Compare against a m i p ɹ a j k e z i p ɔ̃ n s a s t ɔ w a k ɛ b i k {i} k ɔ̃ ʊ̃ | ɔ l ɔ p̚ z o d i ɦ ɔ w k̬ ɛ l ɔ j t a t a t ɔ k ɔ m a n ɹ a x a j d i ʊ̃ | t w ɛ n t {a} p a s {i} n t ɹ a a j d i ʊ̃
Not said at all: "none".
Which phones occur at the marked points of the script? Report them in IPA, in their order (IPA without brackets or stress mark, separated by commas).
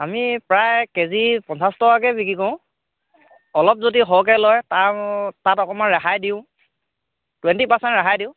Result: i, i, ɛ